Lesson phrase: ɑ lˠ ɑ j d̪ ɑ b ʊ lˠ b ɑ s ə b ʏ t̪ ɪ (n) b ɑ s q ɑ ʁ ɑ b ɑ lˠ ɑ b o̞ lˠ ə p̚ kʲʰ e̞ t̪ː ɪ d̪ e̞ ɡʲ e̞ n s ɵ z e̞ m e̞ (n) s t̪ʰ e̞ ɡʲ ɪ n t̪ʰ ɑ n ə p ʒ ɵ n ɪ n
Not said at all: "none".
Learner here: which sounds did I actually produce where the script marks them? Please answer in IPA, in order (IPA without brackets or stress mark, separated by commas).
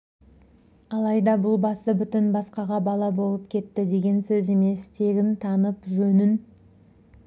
n, none